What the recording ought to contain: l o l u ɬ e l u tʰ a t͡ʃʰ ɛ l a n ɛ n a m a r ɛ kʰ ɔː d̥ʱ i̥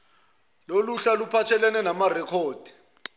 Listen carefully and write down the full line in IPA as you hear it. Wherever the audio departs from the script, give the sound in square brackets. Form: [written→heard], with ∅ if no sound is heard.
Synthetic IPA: l o l u ɬ [e→a] l u [tʰ→pʰ] a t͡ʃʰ ɛ l [a→ɛ] n ɛ n a m a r ɛ kʰ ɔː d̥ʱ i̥